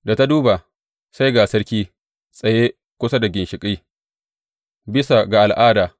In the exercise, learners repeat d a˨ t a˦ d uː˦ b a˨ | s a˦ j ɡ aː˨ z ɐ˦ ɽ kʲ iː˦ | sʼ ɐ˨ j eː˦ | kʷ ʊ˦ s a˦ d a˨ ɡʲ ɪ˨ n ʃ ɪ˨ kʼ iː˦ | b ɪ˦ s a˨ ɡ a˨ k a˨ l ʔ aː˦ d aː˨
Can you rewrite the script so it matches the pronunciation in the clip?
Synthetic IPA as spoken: d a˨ t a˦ d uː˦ b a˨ | s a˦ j ɡ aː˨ s ɐ˦ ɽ kʲ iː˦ | sʼ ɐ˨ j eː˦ | kʷ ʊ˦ s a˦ d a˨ ɡʲ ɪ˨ n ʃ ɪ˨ kʼ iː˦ | b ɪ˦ s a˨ ɡ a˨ ʔ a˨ l ʔ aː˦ d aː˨